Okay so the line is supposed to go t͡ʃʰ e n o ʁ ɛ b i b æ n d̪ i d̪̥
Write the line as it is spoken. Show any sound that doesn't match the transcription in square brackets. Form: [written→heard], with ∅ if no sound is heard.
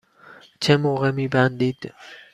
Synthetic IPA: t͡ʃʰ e [n→m] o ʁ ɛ [b→m] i b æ n d̪ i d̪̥